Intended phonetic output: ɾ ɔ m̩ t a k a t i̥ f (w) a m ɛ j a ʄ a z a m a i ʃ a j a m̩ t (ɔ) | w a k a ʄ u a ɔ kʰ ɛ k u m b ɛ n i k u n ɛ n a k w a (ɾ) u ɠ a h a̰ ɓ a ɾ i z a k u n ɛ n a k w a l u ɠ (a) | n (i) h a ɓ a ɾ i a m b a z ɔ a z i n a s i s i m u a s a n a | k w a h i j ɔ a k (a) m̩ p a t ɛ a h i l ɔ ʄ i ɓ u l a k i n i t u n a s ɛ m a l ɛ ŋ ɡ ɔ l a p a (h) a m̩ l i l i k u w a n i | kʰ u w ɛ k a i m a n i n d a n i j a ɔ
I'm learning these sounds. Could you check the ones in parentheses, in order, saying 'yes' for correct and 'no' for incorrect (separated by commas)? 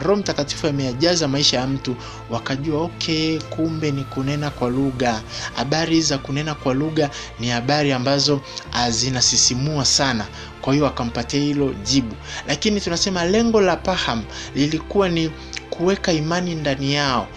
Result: no, no, no, yes, yes, yes, yes